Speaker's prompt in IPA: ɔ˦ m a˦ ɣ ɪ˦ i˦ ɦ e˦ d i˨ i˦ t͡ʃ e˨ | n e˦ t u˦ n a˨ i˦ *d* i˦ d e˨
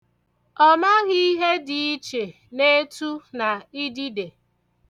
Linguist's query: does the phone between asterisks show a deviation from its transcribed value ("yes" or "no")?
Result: no